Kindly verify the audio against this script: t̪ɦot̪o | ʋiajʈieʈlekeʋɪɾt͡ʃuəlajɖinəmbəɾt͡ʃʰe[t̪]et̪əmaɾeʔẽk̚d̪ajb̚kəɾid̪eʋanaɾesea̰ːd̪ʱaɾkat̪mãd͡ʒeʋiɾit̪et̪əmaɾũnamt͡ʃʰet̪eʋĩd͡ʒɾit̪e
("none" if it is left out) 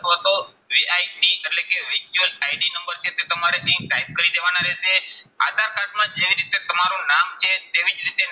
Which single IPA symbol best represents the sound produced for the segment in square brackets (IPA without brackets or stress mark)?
t̪